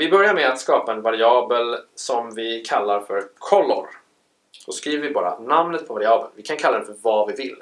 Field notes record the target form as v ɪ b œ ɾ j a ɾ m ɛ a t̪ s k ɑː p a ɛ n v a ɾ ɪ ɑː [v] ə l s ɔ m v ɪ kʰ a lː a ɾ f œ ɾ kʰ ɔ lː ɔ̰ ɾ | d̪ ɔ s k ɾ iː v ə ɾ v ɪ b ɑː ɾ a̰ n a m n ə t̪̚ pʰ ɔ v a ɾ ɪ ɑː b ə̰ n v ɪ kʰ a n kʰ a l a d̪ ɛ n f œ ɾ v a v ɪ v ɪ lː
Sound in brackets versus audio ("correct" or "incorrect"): incorrect